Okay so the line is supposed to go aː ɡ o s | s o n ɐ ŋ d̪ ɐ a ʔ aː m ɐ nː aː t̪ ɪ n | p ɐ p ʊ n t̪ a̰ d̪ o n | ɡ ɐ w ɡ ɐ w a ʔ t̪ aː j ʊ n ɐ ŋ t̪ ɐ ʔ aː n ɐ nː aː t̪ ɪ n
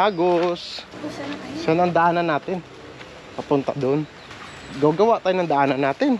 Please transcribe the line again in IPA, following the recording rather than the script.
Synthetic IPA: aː ɡ o s | s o n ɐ ŋ d̪ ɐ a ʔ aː n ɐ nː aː t̪ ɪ n | p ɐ p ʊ n t̪ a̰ d̪ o n | ɡ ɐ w ɡ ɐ w a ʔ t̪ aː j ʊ n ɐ ŋ d̪ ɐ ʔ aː n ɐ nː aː t̪ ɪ n